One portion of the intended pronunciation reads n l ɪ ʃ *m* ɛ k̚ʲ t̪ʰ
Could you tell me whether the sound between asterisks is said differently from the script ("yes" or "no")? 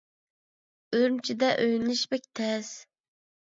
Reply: yes